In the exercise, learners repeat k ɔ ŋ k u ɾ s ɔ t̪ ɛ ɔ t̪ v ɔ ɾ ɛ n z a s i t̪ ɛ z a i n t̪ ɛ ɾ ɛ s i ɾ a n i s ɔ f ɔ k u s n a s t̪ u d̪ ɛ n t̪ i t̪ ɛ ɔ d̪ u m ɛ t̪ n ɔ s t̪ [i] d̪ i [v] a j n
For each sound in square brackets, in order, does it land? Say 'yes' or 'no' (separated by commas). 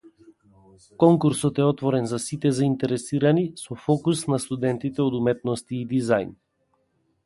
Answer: no, no